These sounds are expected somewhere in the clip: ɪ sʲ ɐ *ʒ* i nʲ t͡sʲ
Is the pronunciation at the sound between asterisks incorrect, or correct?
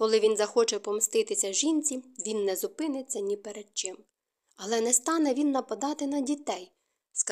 correct